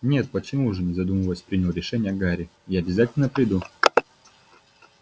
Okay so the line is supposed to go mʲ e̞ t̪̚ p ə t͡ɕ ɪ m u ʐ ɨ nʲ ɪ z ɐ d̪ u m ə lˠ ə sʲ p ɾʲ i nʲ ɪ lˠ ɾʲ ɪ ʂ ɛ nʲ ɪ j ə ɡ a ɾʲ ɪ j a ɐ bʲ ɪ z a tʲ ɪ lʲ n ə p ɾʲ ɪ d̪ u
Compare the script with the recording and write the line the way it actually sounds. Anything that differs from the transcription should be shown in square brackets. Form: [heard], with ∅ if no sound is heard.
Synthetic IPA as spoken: [nʲ] e̞ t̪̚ p ə t͡ɕ ɪ m u ʐ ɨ nʲ ɪ z ɐ d̪ u m ə lˠ ə sʲ p ɾʲ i nʲ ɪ lˠ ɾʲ ɪ ʂ ɛ nʲ ɪ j ə ɡ a ɾʲ ɪ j a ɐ bʲ ɪ z a tʲ ɪ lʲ n ə p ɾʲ ɪ d̪ u